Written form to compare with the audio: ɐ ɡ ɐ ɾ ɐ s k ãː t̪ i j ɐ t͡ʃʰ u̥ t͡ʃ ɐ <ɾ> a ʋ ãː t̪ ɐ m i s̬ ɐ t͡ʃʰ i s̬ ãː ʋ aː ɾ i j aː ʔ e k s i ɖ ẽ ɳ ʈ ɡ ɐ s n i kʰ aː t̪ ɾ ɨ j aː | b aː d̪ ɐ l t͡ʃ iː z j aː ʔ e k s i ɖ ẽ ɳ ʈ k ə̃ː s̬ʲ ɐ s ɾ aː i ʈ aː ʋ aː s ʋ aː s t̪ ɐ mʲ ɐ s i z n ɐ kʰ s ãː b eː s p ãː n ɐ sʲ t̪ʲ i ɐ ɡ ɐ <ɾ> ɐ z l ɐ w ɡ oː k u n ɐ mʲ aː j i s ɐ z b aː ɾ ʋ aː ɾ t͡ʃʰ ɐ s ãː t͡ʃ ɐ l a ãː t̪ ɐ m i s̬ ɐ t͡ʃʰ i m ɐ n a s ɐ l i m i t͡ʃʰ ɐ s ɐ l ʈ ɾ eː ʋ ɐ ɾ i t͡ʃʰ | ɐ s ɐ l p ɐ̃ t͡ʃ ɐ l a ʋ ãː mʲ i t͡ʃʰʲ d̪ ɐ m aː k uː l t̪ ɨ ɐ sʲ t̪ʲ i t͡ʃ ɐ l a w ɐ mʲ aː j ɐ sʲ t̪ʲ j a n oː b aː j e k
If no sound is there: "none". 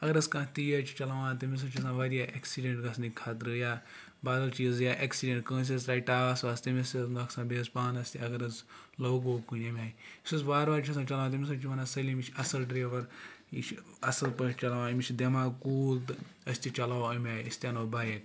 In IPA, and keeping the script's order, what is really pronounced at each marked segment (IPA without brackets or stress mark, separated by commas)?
l, ɾ